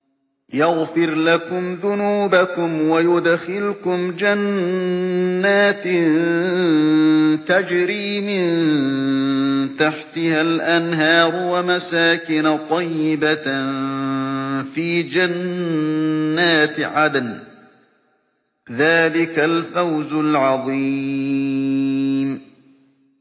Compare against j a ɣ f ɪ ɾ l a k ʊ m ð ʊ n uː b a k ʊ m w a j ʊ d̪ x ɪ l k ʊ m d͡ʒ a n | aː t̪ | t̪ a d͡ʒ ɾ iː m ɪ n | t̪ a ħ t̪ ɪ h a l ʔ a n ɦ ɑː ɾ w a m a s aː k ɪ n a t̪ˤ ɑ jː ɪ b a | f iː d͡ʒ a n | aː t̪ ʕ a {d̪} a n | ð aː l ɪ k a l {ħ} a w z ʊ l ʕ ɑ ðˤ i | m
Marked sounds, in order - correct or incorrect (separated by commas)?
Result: correct, incorrect